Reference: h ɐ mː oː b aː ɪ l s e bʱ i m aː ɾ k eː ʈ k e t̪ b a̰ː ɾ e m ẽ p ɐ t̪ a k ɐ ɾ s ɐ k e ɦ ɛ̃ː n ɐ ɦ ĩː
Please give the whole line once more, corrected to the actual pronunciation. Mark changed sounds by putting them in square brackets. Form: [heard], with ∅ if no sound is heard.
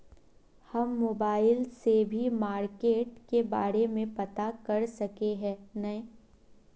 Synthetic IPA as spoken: h ɐ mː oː b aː ɪ l s e bʱ i m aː ɾ k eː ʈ k e [∅] b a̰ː ɾ e m ẽ p ɐ t̪ a k ɐ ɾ s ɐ k e ɦ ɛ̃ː n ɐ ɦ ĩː

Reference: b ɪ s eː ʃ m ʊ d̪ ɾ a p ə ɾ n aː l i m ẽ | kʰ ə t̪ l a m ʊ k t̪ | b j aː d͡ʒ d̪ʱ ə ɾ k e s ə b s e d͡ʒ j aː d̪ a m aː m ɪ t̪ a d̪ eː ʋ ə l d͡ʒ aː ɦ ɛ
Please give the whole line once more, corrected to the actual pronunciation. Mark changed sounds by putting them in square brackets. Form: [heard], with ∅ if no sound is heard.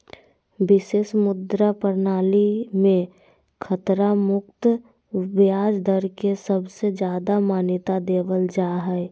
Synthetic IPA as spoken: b ɪ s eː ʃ m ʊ d̪ ɾ a p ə ɾ n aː l i m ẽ | kʰ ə t̪ [ɾ] a m ʊ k t̪ | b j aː d͡ʒ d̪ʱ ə ɾ k e s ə b s e d͡ʒ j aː d̪ a m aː [n] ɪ t̪ a d̪ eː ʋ ə l d͡ʒ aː ɦ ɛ

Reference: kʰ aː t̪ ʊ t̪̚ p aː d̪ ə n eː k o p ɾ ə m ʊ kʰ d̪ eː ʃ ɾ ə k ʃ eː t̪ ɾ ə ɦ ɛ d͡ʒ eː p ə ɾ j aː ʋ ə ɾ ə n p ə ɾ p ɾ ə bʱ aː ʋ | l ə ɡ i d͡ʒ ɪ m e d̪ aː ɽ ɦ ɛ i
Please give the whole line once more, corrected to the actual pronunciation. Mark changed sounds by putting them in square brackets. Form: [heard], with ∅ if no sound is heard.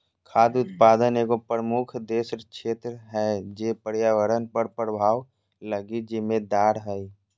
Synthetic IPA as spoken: kʰ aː [d̪] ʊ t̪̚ p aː d̪ ə n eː k o p ɾ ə m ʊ kʰ d̪ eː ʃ ɾ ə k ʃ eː t̪ ɾ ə ɦ ɛ d͡ʒ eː p ə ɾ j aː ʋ ə ɾ ə n p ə ɾ p ɾ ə bʱ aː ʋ | l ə ɡ i d͡ʒ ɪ m e d̪ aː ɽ ɦ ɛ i

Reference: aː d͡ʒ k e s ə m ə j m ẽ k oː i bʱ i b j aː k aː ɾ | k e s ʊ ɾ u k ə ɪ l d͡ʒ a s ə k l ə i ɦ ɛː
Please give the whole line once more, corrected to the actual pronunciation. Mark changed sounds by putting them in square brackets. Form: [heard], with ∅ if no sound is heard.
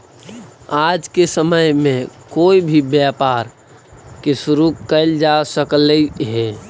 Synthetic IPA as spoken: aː d͡ʒ k e s ə m ə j m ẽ k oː i bʱ i b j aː [p] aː ɾ | k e s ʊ ɾ u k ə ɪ l d͡ʒ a s ə k l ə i ɦ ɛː

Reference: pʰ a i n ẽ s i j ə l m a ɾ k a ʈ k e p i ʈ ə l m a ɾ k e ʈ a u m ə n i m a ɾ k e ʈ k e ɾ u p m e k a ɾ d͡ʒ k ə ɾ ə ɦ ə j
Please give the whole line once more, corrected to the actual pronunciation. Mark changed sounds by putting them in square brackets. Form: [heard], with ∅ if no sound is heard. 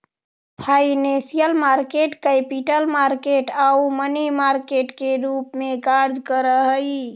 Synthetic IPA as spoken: pʰ a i n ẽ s i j ə l m a ɾ k [e] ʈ k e p i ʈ ə l m a ɾ k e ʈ a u m ə n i m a ɾ k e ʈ k e ɾ u p m e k a ɾ d͡ʒ k ə ɾ ə ɦ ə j

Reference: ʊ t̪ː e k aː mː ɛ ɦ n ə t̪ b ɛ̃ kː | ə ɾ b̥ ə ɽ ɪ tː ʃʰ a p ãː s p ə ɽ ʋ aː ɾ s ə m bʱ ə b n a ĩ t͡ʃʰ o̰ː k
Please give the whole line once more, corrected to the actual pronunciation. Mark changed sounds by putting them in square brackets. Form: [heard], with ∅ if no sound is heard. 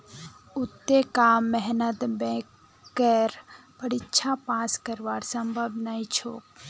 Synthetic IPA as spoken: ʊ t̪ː e k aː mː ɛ ɦ n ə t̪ b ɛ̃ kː | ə ɾ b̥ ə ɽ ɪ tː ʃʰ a p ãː s [k] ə [ɾ] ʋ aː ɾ s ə m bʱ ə b n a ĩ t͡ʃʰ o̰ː k

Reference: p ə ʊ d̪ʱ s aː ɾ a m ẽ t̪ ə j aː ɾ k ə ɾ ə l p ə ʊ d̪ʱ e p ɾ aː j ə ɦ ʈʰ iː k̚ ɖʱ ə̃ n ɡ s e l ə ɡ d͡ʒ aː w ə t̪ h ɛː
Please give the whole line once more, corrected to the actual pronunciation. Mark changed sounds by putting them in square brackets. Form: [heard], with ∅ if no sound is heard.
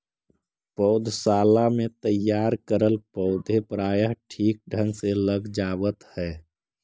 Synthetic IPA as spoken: p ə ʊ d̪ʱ s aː [l] a m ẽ t̪ ə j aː ɾ k ə ɾ ə l p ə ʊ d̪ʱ e p ɾ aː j ə ɦ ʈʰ iː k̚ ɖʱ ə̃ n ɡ s e l ə ɡ d͡ʒ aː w ə t̪ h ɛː

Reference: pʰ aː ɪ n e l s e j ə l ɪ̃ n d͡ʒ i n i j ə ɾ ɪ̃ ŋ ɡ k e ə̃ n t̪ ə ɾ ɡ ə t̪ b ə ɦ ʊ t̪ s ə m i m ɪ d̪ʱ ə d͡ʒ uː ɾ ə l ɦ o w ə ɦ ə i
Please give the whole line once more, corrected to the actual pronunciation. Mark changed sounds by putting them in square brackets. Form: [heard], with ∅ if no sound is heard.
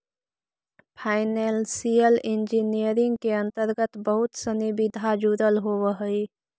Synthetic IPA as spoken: pʰ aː ɪ n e l s [i] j ə l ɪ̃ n d͡ʒ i n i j ə ɾ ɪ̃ ŋ ɡ k e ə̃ n t̪ ə ɾ ɡ ə t̪ b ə ɦ ʊ t̪ s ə [n] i [b] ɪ d̪ʱ [a] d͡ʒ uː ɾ ə l ɦ o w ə ɦ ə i

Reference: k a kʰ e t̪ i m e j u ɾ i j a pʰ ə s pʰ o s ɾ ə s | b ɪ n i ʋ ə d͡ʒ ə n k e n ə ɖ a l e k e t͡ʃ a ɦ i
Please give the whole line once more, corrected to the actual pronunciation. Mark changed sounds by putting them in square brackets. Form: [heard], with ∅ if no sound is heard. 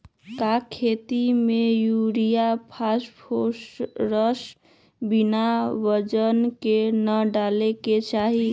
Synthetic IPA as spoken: k a kʰ e t̪ i m e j u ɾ i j a pʰ [a] s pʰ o s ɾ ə s | b [i] n [a] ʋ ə d͡ʒ ə n k e n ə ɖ a l e k e t͡ʃ a ɦ i

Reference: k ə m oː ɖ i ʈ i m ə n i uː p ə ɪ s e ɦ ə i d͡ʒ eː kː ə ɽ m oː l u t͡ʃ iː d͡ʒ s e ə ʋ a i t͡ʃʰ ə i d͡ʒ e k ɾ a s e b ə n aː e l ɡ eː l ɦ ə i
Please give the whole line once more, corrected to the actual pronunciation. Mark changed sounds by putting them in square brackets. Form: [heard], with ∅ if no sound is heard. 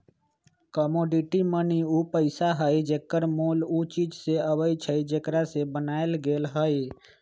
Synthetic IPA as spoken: k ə m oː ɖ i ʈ i m ə n i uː p ə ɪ s [a] ɦ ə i d͡ʒ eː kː ə [ɾ] m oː l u t͡ʃ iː d͡ʒ s e ə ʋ [ə] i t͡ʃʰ ə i d͡ʒ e k ɾ a s e b ə n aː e l ɡ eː l ɦ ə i

